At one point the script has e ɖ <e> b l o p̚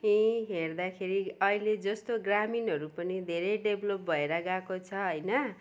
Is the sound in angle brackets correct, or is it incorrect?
correct